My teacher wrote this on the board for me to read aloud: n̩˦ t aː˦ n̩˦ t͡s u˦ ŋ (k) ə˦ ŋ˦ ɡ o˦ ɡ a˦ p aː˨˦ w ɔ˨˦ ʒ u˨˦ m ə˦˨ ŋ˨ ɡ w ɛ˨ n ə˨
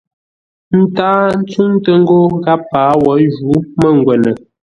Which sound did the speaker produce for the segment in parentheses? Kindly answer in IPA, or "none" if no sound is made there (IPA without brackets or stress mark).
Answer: t